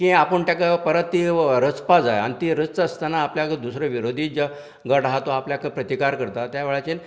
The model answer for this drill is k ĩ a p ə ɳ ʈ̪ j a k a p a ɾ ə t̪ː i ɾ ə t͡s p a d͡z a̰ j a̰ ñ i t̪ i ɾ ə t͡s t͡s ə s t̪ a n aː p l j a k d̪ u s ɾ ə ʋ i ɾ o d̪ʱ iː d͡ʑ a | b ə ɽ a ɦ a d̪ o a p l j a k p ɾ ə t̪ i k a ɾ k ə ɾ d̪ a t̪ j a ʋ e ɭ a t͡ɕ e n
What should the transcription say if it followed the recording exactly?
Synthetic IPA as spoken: k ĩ a p ə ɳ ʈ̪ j a k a p ə ɾ ə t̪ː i ɾ ə t͡s p a d͡z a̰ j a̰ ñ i t̪ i ɾ ə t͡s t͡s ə s t̪ a n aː p l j a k d̪ u s ɾ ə ʋ i ɾ o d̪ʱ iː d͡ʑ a | ɡ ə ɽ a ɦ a t̪ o a p l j a k p ɾ ə t̪ i k a ɾ k ə ɾ t̪ a t̪ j a ʋ e ɭ a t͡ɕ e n